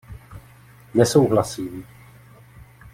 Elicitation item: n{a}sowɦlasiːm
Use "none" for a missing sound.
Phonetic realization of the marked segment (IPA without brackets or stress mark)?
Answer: ɛ